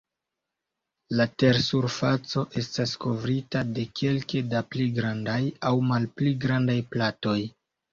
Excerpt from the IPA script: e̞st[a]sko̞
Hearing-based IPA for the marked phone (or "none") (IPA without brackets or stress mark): a